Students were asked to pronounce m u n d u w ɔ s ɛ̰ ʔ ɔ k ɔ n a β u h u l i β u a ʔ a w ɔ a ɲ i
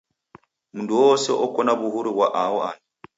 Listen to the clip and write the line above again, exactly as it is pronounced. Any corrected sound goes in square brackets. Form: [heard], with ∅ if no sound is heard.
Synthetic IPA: m u n d u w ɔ s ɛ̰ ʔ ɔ k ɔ n a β u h u [ɾ] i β [w] a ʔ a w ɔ a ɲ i

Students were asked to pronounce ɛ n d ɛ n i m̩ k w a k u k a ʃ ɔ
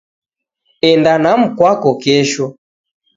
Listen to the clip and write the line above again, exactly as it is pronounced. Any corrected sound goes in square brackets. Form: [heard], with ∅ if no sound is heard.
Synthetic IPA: ɛ n d [a] n [a] m̩ k w a k [ɔ] k [ɛ] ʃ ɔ

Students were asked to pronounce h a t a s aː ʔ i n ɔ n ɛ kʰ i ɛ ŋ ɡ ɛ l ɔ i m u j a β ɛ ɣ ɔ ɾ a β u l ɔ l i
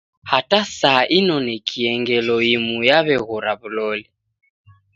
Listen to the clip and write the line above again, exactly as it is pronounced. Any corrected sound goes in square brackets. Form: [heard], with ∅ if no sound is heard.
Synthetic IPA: h a t a s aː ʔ i n ɔ n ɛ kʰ i ɛ ŋ ɡ ɛ l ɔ i m u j a β ɛ ɣ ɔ ɾ a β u l ɔ l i

